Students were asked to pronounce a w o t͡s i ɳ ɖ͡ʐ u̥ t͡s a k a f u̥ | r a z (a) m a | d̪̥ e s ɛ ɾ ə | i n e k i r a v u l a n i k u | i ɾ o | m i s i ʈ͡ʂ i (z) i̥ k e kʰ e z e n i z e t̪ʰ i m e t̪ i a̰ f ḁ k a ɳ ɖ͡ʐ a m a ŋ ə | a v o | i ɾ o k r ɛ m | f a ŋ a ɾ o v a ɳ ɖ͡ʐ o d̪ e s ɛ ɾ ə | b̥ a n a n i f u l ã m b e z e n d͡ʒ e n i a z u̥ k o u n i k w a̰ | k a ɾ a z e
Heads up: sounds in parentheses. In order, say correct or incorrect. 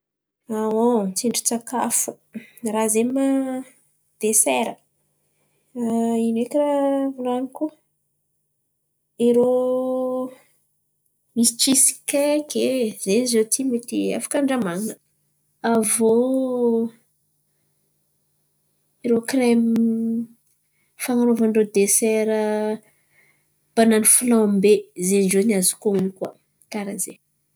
incorrect: e, incorrect: s

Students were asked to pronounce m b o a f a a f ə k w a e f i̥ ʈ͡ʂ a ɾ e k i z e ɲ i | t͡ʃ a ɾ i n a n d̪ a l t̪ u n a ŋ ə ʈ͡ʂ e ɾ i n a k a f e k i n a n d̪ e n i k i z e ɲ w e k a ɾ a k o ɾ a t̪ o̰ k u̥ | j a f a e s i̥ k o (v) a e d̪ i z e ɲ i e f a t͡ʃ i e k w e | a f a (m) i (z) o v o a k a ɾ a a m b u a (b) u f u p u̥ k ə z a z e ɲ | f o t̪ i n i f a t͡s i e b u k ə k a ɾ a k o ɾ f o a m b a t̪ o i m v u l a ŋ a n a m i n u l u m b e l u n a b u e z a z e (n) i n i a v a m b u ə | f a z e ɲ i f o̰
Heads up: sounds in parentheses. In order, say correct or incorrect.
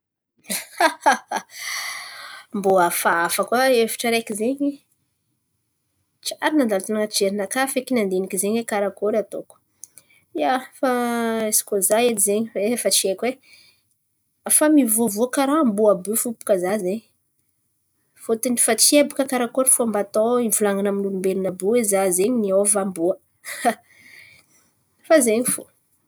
incorrect: z, correct, incorrect: v, correct, incorrect: ɲ

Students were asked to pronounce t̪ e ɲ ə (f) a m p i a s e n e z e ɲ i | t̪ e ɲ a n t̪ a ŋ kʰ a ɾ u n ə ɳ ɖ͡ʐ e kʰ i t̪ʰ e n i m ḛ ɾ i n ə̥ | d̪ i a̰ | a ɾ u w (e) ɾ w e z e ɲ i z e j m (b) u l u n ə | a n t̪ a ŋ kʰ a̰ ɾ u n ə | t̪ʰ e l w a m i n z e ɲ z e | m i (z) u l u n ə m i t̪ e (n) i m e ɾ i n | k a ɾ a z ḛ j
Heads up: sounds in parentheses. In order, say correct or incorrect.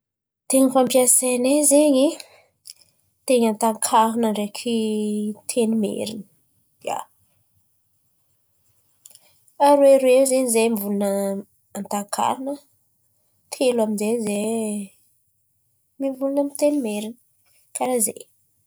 correct, correct, incorrect: v, incorrect: v, correct

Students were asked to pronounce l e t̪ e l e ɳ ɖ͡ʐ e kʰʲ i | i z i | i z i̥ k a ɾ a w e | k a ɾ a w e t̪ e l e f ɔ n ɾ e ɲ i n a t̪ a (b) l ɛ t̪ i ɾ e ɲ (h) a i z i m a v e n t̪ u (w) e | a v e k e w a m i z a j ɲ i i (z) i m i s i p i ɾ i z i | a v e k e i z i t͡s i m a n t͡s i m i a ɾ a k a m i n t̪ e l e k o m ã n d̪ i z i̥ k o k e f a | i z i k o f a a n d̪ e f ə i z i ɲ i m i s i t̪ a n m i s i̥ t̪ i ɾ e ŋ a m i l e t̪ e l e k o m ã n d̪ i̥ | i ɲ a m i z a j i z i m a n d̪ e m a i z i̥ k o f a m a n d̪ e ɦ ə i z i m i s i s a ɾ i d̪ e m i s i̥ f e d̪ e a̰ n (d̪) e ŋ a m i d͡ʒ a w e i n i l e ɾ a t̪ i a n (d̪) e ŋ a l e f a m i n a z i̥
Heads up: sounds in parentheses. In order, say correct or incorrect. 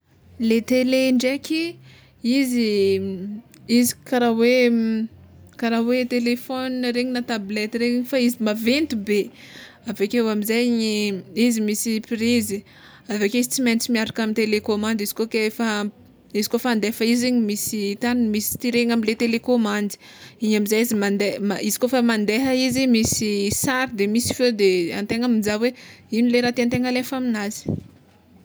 correct, incorrect: f, incorrect: b, correct, incorrect: t̪, incorrect: t̪

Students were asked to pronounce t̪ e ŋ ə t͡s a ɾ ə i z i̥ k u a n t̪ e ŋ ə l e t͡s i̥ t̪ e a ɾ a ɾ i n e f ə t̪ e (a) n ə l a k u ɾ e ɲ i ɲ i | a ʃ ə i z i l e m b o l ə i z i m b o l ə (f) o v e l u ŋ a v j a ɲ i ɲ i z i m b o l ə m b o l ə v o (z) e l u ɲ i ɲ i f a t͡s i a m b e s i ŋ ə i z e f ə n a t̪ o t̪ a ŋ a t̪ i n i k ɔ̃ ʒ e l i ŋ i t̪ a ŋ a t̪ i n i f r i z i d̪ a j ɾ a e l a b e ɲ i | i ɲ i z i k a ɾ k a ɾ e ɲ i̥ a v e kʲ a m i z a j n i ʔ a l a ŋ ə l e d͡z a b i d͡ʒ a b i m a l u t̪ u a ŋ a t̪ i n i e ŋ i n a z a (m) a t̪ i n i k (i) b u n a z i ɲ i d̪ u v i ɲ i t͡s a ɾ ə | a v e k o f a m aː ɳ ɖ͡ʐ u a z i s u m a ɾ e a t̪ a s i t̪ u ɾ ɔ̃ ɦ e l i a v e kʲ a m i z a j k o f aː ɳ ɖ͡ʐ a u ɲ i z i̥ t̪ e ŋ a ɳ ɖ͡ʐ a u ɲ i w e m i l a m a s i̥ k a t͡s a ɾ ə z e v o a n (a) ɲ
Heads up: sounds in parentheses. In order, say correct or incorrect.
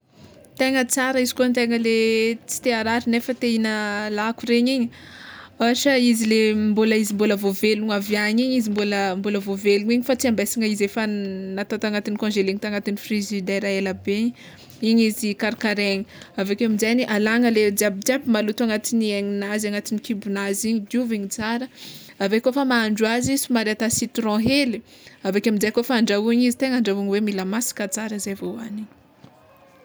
incorrect: i, incorrect: v, incorrect: v, incorrect: ŋ, correct, incorrect: i

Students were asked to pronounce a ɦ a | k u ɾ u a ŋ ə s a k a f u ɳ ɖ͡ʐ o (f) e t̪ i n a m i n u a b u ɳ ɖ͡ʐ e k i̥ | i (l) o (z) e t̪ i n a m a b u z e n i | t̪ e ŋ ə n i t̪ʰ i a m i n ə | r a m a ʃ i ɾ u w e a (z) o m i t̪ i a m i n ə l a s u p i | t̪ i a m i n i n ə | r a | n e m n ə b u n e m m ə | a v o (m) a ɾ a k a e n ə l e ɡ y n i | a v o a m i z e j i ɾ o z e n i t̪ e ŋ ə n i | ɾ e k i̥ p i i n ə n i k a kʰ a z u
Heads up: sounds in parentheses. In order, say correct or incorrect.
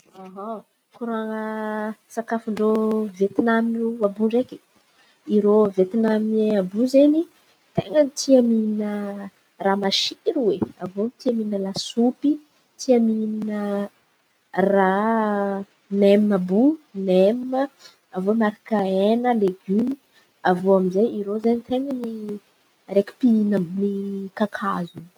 incorrect: v, incorrect: ɾ, incorrect: v, incorrect: v, correct

